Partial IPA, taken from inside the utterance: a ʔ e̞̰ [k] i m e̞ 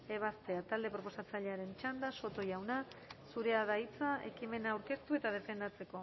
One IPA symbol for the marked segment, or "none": k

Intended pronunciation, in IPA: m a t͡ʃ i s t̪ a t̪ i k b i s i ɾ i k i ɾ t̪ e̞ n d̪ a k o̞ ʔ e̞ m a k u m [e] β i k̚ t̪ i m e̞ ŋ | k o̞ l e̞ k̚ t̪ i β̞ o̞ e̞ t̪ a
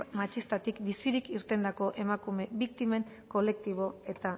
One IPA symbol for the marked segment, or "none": e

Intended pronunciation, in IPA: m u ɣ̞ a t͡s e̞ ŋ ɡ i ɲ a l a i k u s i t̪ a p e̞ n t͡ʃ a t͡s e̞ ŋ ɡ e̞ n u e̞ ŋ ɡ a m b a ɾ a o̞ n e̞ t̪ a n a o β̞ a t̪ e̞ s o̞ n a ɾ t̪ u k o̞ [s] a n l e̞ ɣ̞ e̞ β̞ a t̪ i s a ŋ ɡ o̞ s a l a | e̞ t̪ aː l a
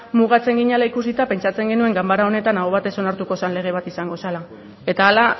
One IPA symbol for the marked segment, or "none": s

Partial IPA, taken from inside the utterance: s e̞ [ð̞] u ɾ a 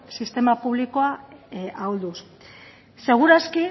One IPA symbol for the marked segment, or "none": ɣ̞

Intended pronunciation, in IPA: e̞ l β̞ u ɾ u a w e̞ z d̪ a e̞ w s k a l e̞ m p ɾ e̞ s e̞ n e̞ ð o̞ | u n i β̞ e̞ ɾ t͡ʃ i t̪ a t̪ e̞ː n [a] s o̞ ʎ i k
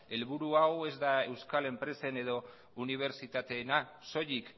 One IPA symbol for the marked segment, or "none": a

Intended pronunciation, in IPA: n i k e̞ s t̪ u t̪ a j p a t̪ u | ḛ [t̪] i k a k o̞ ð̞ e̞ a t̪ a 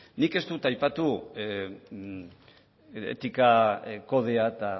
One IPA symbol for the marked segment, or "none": t̪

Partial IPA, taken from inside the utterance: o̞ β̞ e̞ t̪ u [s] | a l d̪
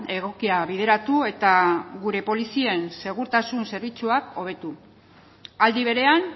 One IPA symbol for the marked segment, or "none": none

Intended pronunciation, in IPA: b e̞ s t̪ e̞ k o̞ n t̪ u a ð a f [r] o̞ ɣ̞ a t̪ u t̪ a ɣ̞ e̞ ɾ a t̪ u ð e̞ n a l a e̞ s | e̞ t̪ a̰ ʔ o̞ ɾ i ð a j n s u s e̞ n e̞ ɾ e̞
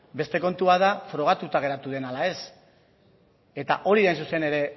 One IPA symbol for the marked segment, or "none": ɾ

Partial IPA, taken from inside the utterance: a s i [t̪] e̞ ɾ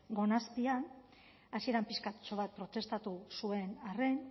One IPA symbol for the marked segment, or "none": none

